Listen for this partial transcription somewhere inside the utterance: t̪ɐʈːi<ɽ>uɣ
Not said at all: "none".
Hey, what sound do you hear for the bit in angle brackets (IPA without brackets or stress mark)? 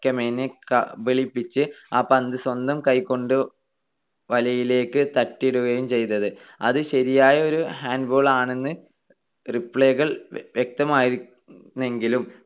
ɽ